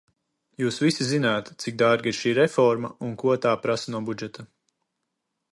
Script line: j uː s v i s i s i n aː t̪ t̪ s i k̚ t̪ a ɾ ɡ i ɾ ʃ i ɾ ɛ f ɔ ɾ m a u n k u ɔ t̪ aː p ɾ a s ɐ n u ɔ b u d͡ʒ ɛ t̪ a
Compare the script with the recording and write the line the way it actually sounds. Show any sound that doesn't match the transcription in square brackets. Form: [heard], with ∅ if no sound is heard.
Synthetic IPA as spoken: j uː s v i s i [z] i n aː t̪ t̪ s i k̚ [d̪] a ɾ ɡ i ɾ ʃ [iː] ɾ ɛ f ɔ ɾ m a u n k u ɔ t̪ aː p ɾ a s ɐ n u ɔ b u d͡ʒ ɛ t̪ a